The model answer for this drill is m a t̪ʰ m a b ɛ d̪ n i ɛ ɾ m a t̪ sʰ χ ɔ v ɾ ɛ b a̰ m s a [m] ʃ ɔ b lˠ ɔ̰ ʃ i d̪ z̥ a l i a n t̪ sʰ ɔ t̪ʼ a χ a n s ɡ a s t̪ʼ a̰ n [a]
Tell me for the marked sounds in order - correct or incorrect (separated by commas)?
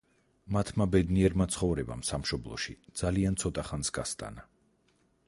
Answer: correct, correct